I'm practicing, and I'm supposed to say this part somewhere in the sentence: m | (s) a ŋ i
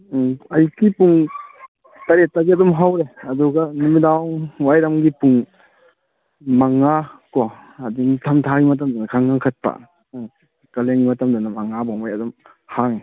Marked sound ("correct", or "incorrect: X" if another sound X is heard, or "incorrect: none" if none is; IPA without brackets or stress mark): incorrect: h